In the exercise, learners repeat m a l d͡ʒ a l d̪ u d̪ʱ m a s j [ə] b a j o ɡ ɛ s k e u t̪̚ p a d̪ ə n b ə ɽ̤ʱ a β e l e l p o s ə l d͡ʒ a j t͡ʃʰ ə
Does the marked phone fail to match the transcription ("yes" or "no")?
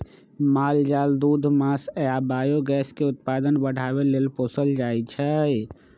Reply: yes